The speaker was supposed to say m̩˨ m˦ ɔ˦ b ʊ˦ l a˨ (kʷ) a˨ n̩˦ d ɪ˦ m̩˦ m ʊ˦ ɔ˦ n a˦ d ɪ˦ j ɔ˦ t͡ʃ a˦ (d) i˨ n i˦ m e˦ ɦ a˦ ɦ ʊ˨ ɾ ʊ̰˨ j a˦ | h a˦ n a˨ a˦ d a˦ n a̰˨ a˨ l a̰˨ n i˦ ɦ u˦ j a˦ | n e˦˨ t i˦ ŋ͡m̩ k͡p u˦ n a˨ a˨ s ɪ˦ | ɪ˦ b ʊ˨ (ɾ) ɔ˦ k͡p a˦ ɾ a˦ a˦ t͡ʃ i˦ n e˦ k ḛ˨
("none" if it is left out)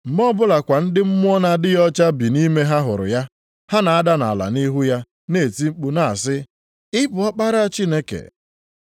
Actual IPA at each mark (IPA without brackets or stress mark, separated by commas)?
kʷ, b, none